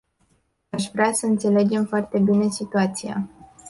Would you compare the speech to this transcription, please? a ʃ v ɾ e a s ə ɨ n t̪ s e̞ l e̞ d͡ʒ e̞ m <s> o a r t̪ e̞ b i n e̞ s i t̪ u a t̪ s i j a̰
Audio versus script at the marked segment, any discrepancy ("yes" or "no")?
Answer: yes